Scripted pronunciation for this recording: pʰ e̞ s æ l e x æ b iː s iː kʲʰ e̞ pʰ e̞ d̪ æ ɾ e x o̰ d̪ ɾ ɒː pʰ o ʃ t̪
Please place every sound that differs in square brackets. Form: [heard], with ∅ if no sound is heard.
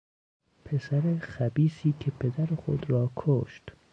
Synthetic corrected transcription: pʰ e̞ s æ [ɾ] e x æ b iː s iː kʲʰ e̞ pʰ e̞ d̪ æ ɾ e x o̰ d̪ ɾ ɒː [kʰ] o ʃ t̪

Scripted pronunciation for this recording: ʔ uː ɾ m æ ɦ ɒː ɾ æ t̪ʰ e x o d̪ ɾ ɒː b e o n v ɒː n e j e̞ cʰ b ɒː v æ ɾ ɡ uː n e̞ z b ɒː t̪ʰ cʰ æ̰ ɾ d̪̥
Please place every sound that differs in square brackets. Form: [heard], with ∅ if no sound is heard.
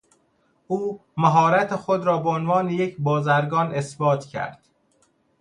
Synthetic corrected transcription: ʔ uː [∅] m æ ɦ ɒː ɾ æ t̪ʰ e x o d̪ ɾ ɒː b e o n v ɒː n e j e̞ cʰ b ɒː [z] æ ɾ ɡ [ɒː] n e̞ [s] b ɒː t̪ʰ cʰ æ̰ ɾ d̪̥

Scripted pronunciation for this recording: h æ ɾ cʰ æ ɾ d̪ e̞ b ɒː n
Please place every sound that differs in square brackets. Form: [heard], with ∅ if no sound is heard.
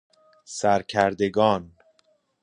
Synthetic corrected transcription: [s] æ ɾ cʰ æ ɾ d̪ e̞ [ɡ] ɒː n

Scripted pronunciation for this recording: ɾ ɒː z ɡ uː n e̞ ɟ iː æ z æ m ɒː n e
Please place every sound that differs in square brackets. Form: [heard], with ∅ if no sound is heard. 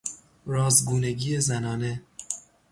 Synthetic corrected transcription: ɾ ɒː z ɡ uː n e̞ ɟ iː [e] z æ [n] ɒː n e

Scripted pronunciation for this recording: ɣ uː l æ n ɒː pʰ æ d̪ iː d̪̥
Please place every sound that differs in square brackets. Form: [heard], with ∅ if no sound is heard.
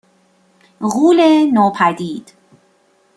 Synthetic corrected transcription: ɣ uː l [e] n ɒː pʰ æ d̪ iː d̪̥

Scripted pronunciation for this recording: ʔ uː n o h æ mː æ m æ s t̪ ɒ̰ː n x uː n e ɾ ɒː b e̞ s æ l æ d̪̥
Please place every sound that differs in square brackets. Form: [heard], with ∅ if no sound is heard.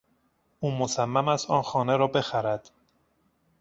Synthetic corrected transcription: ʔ uː [m] o [s] æ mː æ m æ s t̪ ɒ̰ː n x [ɒː] n e ɾ ɒː b e̞ [x] æ [ɾ] æ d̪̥

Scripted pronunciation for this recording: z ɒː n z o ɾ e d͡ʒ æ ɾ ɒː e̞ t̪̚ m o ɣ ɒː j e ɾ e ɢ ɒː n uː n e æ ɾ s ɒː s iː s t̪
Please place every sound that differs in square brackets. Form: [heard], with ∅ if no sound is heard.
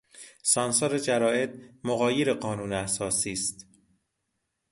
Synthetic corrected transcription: [s] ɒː n [s] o ɾ e d͡ʒ æ ɾ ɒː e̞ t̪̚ m o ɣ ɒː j e ɾ e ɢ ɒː n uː n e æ [∅] s ɒː s iː s t̪

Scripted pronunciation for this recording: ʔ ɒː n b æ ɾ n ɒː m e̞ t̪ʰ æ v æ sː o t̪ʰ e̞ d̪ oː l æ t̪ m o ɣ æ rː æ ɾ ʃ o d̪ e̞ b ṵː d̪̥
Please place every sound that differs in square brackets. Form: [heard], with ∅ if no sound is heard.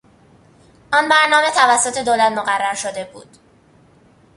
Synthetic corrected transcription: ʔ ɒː n b æ ɾ n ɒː m e̞ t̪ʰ æ v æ sː o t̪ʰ e̞ d̪ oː l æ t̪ m o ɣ æ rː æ ɾ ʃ o d̪ e̞ b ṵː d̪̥

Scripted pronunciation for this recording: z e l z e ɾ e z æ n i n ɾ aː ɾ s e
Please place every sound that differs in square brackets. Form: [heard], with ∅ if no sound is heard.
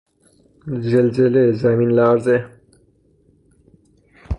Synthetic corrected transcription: z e l z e [l] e z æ [m] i n [l] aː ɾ [z] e

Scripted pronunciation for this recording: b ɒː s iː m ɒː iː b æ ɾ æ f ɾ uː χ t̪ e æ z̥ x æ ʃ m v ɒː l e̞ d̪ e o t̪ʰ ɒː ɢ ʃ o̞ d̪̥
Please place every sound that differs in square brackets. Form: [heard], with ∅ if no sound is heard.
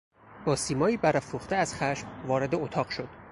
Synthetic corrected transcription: b ɒː s iː m ɒː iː b æ ɾ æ f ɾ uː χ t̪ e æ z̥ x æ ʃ m v ɒː [ɾ] e̞ d̪ e o t̪ʰ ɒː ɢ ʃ o̞ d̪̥

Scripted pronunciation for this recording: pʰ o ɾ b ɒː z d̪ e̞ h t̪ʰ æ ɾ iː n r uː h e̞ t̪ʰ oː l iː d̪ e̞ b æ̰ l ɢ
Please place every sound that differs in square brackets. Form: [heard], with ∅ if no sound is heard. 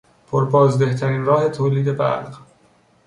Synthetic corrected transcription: pʰ o ɾ b ɒː z d̪ e̞ h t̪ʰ æ ɾ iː n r [ɒː] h e̞ t̪ʰ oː l iː d̪ e̞ b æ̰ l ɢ

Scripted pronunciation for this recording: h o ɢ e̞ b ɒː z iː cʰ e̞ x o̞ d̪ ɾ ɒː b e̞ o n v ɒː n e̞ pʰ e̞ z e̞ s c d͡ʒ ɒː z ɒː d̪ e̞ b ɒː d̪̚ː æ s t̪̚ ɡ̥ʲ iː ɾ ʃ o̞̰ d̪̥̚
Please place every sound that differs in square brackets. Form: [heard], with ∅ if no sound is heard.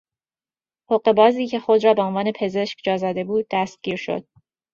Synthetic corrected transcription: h o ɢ e̞ b ɒː z iː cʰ e̞ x o̞ d̪ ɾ ɒː b e̞ o n v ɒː n e̞ pʰ e̞ z e̞ [ʃ] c d͡ʒ ɒː z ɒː d̪ e̞ b [uː] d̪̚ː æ s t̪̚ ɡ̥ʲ iː ɾ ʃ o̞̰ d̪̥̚

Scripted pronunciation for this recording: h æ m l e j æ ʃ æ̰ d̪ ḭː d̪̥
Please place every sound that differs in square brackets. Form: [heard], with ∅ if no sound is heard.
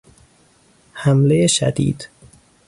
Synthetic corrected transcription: h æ m l e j [e] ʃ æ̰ d̪ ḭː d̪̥

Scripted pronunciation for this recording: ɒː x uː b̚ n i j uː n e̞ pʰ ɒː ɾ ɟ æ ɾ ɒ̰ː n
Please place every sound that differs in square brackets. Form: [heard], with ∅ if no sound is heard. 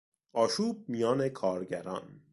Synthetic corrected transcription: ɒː [ʃ] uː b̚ [m] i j [ɒː] n e̞ [kʰ] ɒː ɾ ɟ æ ɾ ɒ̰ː n

